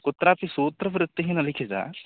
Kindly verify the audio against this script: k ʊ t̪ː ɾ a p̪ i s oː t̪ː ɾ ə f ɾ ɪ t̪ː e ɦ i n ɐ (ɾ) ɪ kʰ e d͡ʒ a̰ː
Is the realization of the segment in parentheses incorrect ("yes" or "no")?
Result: yes